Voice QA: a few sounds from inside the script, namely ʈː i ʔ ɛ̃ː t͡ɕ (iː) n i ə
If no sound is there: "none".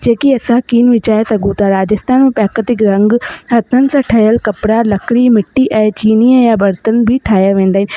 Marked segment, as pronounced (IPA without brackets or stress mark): iː